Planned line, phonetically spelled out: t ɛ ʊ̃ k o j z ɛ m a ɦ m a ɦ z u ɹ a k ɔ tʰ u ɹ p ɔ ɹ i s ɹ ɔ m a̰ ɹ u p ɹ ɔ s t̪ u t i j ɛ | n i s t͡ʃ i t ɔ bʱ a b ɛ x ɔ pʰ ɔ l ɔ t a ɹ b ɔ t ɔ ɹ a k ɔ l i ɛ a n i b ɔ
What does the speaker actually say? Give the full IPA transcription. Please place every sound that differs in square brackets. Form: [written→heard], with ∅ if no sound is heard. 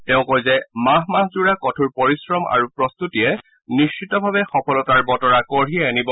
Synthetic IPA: t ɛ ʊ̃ k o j z ɛ m a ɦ m a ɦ z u ɹ a k ɔ tʰ u ɹ p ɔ ɹ i s ɹ ɔ m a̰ ɹ u p ɹ ɔ s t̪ u t i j ɛ | n i s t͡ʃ i t ɔ bʱ a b ɛ x ɔ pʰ ɔ l ɔ t a ɹ b ɔ t ɔ ɹ a k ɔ [l→ɹ] i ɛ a n i b ɔ